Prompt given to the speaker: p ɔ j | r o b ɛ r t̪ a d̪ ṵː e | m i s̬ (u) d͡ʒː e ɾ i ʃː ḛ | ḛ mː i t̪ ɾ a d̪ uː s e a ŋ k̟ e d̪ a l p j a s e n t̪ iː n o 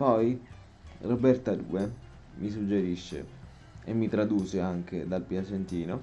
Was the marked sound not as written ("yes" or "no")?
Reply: no